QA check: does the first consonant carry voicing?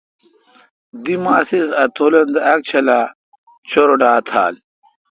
yes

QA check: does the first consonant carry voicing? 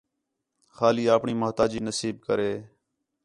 no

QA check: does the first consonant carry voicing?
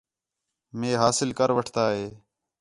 yes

